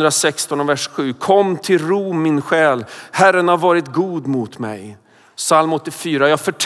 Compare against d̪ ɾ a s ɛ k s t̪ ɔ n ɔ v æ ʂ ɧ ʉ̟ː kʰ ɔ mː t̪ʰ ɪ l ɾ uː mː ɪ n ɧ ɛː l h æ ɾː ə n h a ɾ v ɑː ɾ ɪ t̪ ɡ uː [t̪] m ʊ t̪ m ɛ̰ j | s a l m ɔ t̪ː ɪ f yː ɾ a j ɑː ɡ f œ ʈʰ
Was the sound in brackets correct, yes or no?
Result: no